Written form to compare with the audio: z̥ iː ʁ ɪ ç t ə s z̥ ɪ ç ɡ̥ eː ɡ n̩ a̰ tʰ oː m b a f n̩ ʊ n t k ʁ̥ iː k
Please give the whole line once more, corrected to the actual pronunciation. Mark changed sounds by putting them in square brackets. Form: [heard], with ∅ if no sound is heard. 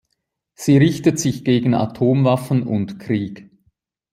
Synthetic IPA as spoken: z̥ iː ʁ ɪ ç t ə [t] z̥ ɪ ç ɡ̥ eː ɡ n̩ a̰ tʰ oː m [v] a f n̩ ʊ n t k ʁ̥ iː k